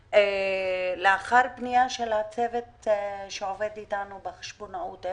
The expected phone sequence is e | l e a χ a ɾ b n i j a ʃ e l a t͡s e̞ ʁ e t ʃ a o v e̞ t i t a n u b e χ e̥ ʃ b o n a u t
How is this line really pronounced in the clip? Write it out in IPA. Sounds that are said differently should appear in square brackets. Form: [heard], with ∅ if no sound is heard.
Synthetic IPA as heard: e | l e a χ a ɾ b n i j a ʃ e l a t͡s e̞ [v] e t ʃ [e] o v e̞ [d] i t a n u b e χ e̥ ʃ b o n a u t